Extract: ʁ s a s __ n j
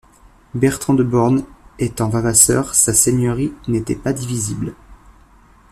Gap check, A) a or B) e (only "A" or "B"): B